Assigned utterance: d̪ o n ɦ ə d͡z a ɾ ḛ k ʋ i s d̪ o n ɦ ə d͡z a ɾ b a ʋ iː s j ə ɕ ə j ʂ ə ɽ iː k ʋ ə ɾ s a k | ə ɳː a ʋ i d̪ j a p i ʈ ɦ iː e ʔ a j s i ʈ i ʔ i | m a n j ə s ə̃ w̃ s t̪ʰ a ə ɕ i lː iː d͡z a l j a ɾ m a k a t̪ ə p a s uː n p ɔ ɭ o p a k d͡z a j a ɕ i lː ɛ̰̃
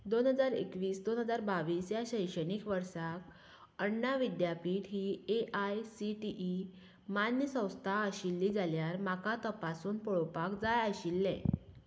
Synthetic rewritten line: d̪ o n ɦ ə d͡z a ɾ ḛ k ʋ iː s d̪ o n ɦ ə d͡z a ɾ b a ʋ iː s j a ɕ ə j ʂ ə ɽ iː k ʋ ə ɾ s a k | ə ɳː a ʋ i d̪ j a p i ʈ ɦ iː e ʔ a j s i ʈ i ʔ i | m a n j ə s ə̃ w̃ s t̪ʰ a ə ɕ i lː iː d͡z a l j a ɾ m a k a t̪ ə p a s uː n p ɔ ɭ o p a k d͡z a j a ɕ i lː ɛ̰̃